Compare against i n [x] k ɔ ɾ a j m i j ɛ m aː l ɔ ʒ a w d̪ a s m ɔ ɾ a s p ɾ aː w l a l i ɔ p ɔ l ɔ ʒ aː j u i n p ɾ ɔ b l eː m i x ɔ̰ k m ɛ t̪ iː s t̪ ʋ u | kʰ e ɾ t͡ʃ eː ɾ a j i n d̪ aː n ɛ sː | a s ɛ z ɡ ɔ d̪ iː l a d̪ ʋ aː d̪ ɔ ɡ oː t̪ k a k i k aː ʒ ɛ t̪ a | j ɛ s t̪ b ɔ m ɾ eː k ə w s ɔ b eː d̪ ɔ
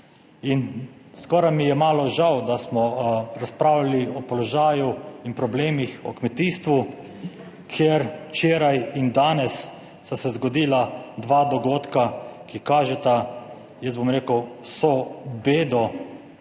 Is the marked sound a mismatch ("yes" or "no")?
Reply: yes